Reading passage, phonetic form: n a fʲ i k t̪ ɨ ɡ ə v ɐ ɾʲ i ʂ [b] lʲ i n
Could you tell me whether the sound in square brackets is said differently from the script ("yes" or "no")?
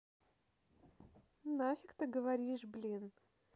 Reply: no